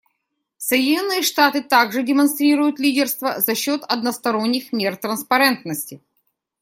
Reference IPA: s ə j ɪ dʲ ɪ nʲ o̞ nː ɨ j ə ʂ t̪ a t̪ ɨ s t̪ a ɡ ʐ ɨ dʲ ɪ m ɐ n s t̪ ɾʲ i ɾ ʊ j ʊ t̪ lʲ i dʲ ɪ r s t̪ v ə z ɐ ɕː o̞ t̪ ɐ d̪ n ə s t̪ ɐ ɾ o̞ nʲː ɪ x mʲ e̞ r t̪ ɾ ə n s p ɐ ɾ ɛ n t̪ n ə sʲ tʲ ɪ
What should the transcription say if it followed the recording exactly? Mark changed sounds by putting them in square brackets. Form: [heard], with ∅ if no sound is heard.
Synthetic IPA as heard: s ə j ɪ dʲ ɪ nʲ o̞ nː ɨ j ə ʂ t̪ a t̪ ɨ [∅] t̪ a ɡ ʐ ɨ dʲ ɪ m ɐ n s t̪ ɾʲ i ɾ ʊ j ʊ t̪ lʲ i dʲ ɪ r s t̪ v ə z ɐ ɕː o̞ t̪ ɐ d̪ n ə s t̪ ɐ ɾ o̞ nʲː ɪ x mʲ e̞ r t̪ ɾ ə n s p ɐ ɾ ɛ n t̪ n ə sʲ tʲ ɪ

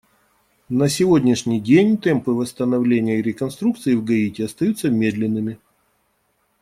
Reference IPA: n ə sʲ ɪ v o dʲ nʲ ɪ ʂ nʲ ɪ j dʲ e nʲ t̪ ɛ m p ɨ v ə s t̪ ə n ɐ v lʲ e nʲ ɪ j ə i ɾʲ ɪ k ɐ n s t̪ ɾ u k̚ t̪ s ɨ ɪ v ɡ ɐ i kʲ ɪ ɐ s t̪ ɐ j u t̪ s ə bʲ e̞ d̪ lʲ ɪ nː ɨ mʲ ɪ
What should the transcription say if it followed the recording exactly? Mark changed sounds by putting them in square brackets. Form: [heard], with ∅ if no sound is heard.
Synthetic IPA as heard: n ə sʲ ɪ v o dʲ nʲ ɪ ʂ nʲ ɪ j dʲ e nʲ t̪ ɛ m p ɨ v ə s t̪ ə n ɐ v lʲ e nʲ ɪ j ə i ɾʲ ɪ k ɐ n s t̪ ɾ u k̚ t̪ s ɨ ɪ v ɡ ɐ i [tʲ] ɪ ɐ s t̪ ɐ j u t̪ s ə [mʲ] e̞ d̪ lʲ ɪ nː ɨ mʲ ɪ

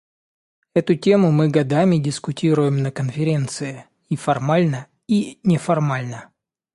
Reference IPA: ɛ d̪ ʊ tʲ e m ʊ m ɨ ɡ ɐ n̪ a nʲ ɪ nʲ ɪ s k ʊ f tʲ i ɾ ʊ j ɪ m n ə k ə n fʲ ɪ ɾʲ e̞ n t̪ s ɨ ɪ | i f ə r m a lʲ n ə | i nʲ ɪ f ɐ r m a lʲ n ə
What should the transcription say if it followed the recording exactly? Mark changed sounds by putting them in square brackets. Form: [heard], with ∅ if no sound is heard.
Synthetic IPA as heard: ɛ [t̪] ʊ tʲ e m ʊ m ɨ ɡ ɐ [d̪] a [mʲ] ɪ [dʲ] ɪ s k ʊ [∅] tʲ i ɾ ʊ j ɪ m n ə k ə n fʲ ɪ ɾʲ e̞ n t̪ s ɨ ɪ | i f [ɐ] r m a lʲ n ə | i nʲ ɪ f ɐ r m a lʲ n ə

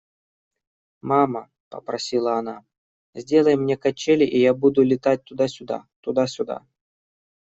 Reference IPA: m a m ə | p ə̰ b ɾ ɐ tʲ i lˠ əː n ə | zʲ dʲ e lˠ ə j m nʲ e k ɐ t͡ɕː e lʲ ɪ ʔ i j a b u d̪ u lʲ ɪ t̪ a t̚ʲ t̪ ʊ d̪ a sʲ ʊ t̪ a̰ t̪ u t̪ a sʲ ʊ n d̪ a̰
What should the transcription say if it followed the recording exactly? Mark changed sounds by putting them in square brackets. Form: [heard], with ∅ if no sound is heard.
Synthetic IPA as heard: m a m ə | p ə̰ [p] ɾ ɐ [sʲ] i lˠ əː n [a] | zʲ dʲ e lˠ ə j m nʲ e k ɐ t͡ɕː e lʲ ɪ ʔ i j a b u d̪ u lʲ ɪ t̪ a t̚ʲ t̪ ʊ d̪ a sʲ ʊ [d̪] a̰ t̪ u [d̪] a sʲ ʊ [∅] d̪ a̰

